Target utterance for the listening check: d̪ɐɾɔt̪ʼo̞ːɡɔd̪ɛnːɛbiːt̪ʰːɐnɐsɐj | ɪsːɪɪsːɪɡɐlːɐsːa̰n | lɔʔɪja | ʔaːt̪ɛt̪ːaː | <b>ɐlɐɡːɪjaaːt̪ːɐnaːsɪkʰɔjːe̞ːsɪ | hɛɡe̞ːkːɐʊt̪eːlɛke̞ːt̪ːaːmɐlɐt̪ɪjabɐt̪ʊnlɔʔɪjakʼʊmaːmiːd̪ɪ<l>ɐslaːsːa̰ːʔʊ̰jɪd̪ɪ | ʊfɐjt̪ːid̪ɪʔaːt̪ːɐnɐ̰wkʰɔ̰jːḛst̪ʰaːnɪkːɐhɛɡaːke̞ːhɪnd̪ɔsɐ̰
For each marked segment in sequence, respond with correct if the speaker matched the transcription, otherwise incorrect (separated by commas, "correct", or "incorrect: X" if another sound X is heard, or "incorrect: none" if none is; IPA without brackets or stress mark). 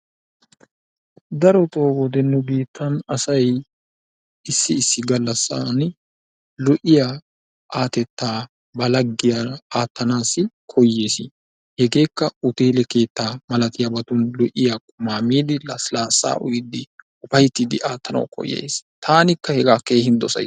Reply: correct, correct